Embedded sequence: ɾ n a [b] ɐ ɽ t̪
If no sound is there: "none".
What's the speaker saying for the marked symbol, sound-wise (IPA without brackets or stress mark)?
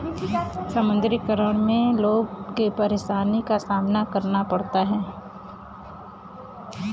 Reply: p